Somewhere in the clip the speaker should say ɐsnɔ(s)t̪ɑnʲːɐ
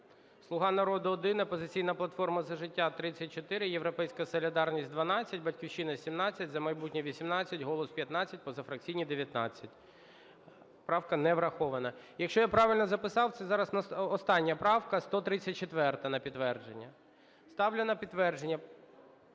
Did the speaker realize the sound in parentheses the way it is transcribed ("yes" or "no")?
yes